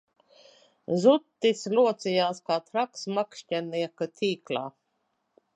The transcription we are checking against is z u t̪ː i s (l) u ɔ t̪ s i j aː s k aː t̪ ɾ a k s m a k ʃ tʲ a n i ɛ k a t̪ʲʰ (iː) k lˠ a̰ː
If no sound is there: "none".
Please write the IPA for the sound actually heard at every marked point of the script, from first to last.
l, iː

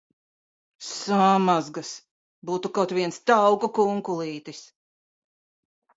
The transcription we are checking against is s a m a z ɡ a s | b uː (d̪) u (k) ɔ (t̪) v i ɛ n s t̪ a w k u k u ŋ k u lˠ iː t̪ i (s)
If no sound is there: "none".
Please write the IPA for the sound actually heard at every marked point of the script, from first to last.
t̪, k, t̪, s

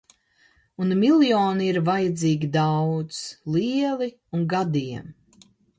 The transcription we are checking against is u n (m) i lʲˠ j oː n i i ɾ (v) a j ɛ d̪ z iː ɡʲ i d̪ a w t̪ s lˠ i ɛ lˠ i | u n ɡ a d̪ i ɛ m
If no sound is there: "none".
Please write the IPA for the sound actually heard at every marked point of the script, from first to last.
m, v

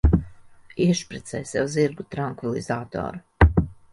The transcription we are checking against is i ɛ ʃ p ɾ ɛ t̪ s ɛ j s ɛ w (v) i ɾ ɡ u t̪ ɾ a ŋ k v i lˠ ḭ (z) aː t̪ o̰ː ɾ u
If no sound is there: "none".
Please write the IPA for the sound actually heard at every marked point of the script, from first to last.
z, z

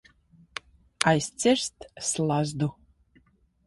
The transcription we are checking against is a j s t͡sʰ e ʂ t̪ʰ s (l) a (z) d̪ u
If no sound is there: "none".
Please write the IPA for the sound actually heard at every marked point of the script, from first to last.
l, z

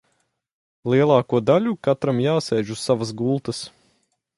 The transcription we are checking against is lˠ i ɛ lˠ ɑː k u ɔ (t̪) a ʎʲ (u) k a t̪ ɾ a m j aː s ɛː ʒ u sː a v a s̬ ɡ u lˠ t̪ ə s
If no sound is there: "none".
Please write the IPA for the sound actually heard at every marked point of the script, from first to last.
d̪, u

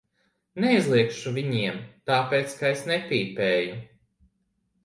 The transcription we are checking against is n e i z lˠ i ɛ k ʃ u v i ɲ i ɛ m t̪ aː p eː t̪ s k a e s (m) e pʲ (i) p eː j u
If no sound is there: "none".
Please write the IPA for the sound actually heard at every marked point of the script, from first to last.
n, iː

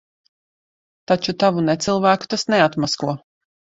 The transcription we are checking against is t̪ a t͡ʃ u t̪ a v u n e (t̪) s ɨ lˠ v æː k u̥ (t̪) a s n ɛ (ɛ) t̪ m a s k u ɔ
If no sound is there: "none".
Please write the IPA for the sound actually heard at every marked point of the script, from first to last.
t̪, t̪, a

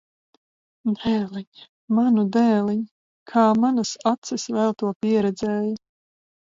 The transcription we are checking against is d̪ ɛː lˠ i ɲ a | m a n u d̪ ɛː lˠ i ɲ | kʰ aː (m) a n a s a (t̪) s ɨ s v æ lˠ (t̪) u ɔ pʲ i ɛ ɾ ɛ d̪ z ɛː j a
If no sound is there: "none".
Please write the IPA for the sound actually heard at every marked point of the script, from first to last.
m, t̪, t̪

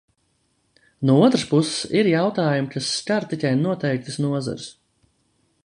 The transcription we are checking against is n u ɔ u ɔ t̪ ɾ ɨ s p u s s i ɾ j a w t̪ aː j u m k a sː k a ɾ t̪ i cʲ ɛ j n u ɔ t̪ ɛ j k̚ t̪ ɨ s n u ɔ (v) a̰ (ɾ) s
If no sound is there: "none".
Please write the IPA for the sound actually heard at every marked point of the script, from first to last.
z, ɾ

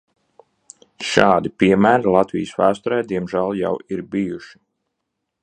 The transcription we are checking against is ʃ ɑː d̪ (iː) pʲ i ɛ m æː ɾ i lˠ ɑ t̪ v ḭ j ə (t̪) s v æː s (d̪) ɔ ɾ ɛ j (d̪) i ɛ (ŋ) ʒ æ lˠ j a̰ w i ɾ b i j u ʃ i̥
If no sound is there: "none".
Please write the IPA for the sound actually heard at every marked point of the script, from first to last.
i, none, t̪, d̪, m

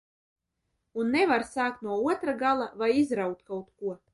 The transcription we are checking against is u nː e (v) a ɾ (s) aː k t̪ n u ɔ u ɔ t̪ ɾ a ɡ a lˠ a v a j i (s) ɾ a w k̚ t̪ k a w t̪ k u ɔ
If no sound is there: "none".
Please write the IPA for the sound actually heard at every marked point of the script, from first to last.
v, s, z

